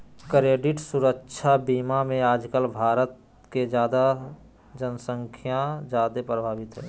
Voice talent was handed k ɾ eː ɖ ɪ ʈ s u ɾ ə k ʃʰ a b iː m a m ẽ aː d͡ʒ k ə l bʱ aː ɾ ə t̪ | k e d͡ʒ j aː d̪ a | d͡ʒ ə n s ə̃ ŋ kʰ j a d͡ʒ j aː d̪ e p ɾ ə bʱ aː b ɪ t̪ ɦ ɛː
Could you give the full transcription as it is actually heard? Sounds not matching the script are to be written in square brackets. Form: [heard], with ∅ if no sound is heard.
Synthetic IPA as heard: k ɾ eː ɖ ɪ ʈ s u ɾ ə k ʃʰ a b iː m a m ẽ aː d͡ʒ k ə l bʱ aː ɾ ə t̪ | k e d͡ʒ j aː d̪ a | d͡ʒ ə n s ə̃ ŋ kʰ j a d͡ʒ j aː d̪ e p ɾ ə bʱ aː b ɪ t̪ ɦ ɛː